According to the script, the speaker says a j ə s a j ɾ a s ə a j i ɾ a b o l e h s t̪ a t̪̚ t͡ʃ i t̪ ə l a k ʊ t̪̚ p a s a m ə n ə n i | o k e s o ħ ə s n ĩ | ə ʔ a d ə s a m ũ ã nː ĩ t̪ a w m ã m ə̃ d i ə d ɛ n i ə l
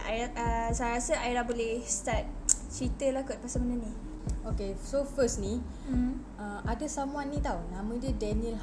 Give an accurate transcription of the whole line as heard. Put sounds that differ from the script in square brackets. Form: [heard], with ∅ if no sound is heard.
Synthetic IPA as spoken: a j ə s a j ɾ a s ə a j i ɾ a b o l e h s t̪ a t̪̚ t͡ʃ i t̪ ə l a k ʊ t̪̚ p a s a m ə n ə n i | o k e s o [f] ə s n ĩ | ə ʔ a d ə s a m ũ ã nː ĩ t̪ a w [n] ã m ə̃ d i ə d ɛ n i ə l